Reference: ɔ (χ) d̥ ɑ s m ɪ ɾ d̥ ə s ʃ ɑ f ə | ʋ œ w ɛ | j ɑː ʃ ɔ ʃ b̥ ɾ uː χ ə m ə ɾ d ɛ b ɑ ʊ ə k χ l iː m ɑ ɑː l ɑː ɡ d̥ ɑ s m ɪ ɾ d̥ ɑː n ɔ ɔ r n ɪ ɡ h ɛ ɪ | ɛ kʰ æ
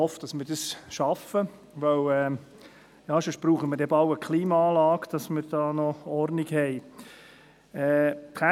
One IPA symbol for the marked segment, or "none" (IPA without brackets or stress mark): f